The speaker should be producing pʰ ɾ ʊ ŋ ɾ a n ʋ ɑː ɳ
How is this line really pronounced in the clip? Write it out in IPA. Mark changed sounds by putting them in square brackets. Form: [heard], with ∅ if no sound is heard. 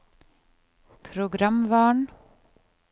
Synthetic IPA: pʰ ɾ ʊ [ɡ] ɾ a [m] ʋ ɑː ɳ